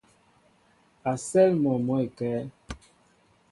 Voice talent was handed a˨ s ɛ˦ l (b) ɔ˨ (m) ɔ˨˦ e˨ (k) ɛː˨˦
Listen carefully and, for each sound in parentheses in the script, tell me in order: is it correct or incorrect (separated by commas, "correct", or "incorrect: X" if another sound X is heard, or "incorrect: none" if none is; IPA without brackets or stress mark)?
incorrect: m, correct, correct